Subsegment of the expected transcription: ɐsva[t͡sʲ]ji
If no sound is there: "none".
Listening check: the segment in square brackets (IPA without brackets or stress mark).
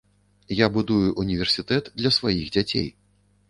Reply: none